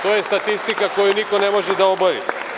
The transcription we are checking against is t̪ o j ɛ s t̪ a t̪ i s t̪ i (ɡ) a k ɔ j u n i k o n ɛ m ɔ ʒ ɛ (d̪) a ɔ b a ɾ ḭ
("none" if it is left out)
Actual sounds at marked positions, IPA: k, d̪

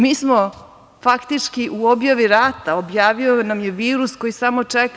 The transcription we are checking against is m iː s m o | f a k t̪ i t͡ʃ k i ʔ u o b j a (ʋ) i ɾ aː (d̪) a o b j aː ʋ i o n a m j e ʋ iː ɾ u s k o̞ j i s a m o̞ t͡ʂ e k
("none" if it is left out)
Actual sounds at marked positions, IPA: ʋ, t̪

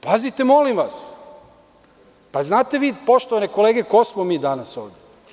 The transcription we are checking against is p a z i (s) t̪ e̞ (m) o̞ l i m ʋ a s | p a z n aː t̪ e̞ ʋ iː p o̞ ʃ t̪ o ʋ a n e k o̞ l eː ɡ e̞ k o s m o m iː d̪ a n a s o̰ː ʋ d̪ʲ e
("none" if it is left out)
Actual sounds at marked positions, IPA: none, m

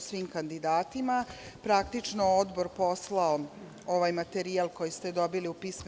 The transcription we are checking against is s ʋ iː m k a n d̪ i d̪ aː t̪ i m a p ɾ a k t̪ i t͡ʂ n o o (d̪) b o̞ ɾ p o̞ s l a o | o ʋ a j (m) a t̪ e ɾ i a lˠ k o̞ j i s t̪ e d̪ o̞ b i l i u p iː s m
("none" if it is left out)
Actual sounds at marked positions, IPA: d̪, m

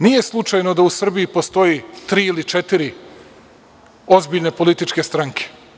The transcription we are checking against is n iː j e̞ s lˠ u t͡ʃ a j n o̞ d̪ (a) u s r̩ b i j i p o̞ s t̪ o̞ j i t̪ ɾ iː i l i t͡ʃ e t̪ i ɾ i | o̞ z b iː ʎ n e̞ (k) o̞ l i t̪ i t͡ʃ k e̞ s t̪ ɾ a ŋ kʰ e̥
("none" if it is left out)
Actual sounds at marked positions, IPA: a, p

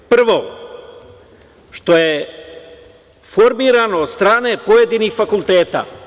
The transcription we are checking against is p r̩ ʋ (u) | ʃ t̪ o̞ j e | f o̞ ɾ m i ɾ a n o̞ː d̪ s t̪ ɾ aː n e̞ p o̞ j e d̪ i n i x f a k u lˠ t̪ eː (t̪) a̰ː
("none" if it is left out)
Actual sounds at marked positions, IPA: o, t̪

